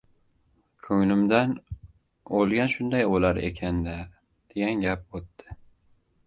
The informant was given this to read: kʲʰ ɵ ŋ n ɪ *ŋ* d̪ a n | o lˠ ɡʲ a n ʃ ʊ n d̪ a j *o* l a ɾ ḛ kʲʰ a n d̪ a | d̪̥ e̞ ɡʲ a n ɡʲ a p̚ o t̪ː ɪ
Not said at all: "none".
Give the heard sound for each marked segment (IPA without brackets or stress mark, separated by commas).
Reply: m, o